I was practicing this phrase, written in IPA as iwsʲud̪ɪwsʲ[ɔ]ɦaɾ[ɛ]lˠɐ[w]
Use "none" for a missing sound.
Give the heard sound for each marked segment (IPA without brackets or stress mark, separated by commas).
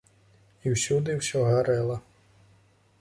ɔ, ɛ, none